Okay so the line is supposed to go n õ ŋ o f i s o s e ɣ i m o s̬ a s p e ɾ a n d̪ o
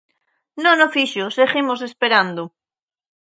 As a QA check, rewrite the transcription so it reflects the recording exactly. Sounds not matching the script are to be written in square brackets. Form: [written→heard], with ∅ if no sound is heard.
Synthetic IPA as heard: n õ [ŋ→n] o f i [s→ʃ] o s e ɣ i m o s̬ [a→e] s p e ɾ a n d̪ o